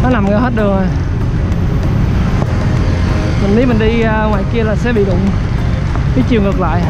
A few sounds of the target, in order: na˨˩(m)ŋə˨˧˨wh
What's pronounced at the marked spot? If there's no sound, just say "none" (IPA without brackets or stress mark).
m